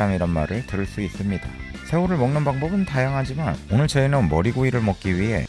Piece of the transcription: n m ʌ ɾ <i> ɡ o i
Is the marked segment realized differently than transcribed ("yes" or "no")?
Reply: no